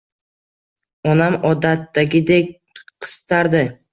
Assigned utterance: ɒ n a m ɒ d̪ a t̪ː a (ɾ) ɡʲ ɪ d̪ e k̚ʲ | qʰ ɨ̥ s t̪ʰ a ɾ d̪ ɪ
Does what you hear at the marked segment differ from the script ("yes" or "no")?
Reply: yes